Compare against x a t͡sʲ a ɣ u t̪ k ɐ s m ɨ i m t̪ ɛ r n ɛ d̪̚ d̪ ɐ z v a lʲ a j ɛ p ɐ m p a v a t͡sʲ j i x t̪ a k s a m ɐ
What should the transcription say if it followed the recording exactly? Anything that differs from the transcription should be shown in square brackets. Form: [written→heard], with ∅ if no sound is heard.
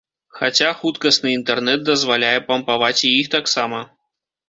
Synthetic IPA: x a t͡sʲ a [ɣ→x] u t̪ k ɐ s [m→n] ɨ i [m→n] t̪ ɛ r n ɛ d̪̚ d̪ ɐ z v a lʲ a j ɛ p ɐ m p a v a t͡sʲ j i x t̪ a k s a m ɐ